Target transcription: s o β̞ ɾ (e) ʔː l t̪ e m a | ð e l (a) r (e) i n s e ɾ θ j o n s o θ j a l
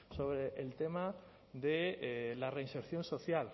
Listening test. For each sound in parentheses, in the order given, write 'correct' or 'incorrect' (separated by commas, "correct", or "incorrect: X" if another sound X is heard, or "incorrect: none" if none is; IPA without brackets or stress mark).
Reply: correct, correct, correct